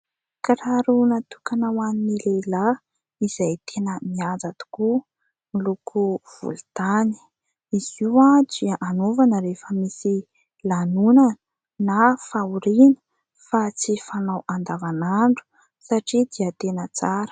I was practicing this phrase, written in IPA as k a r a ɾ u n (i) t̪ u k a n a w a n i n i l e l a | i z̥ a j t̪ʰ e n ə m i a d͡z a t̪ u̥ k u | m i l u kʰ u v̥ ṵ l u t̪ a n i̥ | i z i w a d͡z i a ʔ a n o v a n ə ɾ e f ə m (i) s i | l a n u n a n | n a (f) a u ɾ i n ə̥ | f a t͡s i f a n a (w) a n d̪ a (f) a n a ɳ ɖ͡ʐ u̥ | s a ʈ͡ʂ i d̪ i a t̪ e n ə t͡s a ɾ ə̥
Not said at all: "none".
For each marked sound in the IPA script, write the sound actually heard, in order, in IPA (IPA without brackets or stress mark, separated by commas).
a, i, f, w, v